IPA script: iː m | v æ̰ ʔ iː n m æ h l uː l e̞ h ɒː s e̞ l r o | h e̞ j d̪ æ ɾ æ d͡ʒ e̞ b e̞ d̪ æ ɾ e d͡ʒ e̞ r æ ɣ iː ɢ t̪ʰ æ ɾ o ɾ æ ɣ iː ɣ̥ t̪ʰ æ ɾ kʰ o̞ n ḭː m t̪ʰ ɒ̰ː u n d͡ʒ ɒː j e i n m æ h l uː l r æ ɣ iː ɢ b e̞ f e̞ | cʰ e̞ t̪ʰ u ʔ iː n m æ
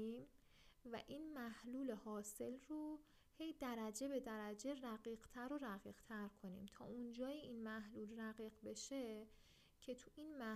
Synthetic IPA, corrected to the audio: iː m | v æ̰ ʔ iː n m æ h l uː l e̞ h ɒː s e̞ l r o | h e̞ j d̪ æ ɾ æ d͡ʒ e̞ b e̞ d̪ æ ɾ æ d͡ʒ e̞ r æ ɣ iː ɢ t̪ʰ æ ɾ o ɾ æ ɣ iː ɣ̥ t̪ʰ æ ɾ kʰ o̞ n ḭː m t̪ʰ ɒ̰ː u n d͡ʒ ɒː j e i n m æ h l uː l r æ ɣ iː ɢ b e̞ ʃ e̞ | cʰ e̞ t̪ʰ u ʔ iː n m æ